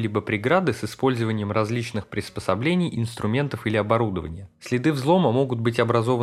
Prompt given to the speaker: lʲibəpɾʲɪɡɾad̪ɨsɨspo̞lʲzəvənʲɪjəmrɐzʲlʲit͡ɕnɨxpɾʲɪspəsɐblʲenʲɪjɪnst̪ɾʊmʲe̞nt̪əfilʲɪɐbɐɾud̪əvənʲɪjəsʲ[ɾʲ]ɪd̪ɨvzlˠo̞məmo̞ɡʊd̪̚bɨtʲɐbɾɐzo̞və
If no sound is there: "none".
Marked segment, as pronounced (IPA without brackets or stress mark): lʲ